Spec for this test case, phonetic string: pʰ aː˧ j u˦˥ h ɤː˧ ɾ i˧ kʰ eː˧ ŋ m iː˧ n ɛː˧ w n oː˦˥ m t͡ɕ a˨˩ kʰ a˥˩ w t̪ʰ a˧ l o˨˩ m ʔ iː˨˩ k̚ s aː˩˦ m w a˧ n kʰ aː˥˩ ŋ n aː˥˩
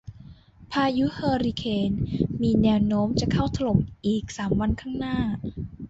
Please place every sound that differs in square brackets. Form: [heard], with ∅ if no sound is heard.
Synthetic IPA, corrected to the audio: pʰ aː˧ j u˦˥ h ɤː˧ ɾ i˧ kʰ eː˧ [n] m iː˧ n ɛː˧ w n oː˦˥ m t͡ɕ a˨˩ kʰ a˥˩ w t̪ʰ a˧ l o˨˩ m ʔ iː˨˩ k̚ s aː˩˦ m w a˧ n kʰ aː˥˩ ŋ n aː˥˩